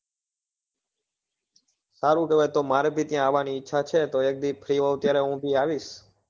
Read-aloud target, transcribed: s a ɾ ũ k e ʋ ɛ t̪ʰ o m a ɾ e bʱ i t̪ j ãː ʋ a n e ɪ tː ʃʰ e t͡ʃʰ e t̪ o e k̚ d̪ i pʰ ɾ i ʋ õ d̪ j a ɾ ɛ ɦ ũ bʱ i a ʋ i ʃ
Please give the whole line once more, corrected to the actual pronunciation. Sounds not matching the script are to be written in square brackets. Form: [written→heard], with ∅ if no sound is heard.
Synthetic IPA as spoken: s a ɾ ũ k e ʋ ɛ [t̪ʰ→t̪] o m a ɾ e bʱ i t̪ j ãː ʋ a n [e→i] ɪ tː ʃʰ [e→a] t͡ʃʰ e t̪ o e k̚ d̪ i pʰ ɾ i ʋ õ [d̪→t̪] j a ɾ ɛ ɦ ũ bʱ i a ʋ i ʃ